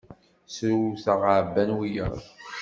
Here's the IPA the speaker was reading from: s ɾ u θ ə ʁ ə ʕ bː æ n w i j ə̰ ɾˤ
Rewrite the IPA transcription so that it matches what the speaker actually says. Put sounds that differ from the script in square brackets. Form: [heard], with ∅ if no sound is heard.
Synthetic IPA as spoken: s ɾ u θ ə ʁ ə ʕ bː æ n w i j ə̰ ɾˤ